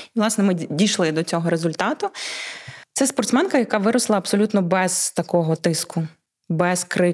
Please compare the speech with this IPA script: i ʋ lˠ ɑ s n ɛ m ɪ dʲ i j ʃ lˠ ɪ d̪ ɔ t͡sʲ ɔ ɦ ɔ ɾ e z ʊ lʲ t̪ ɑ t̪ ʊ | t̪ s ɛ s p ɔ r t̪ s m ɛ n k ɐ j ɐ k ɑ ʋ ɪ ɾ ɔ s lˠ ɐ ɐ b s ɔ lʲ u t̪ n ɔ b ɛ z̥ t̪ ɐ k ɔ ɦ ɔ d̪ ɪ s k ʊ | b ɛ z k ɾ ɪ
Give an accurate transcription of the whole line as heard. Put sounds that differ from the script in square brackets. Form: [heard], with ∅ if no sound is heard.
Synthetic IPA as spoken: i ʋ lˠ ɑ s n ɛ m ɪ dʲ i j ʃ lˠ ɪ d̪ ɔ t͡sʲ ɔ ɦ ɔ ɾ e z ʊ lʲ t̪ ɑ t̪ ʊ | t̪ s ɛ s p ɔ r t̪ s m ɛ n k ɐ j ɐ k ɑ ʋ ɪ ɾ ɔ s lˠ ɐ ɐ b s ɔ lʲ u t̪ n ɔ b ɛ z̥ t̪ ɐ k ɔ ɦ ɔ [t̪] ɪ s k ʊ | b ɛ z k ɾ ɪ